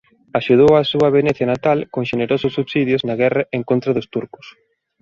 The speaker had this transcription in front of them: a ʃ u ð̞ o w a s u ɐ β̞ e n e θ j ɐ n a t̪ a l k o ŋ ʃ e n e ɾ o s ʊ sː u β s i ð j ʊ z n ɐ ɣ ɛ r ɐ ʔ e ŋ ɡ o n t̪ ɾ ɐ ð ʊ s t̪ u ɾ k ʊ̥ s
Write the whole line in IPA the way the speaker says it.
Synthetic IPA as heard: a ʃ u ð̞ o w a s u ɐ β̞ e n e θ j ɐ n a t̪ a l k o ŋ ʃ e n e ɾ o s ʊ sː u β s i ð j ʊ z n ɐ ɣ ɛ r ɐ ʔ e ŋ k o n t̪ ɾ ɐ ð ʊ s t̪ u ɾ k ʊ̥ s

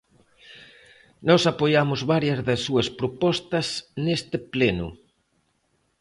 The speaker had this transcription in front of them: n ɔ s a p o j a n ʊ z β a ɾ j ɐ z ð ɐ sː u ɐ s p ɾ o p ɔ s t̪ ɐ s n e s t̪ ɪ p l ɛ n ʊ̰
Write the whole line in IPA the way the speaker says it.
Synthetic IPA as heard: n ɔ s a p o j a m ʊ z β a ɾ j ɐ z ð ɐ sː u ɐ s p ɾ o p ɔ s t̪ ɐ s n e s t̪ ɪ p l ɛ n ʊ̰

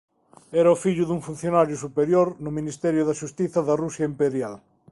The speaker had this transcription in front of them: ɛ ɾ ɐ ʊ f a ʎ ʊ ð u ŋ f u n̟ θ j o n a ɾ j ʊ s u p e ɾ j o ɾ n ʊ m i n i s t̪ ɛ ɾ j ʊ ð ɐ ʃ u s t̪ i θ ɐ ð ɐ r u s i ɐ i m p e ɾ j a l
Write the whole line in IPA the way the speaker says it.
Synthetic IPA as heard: ɛ ɾ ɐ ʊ f i ʎ ʊ ð u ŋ f u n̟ θ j o n a ɾ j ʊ s u p e ɾ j o ɾ n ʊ m i n i s t̪ ɛ ɾ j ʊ ð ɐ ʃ u s t̪ i θ ɐ ð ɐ r u s j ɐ i m p e ɾ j a l

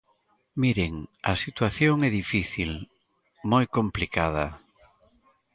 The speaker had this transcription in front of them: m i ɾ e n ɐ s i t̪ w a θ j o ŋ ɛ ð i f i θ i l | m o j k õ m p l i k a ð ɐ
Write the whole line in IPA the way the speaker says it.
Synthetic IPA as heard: m i ɾ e ŋ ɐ s i t̪ w a θ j o ŋ ɛ ð i f i θ i l | m o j k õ m p l i k a ð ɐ

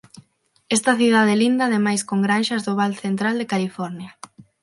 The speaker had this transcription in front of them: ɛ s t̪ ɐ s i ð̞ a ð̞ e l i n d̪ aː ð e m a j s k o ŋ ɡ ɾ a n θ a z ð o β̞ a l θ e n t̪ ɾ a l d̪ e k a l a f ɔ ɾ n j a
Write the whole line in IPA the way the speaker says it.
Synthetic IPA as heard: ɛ s t̪ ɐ θ i ð̞ a ð̞ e l i n d̪ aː ð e m a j s k o ŋ ɡ ɾ a n ʃ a z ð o β̞ a l θ e n t̪ ɾ a l d̪ e k a l i f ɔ ɾ n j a

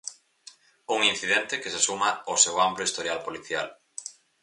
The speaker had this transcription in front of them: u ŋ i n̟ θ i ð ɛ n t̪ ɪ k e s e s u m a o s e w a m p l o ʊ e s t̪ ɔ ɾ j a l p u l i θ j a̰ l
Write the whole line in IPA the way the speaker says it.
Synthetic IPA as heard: u ŋ i n̟ θ i ð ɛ n t̪ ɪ k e s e s u m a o s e w a m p l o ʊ i s t̪ o ɾ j a l p o l i θ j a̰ l

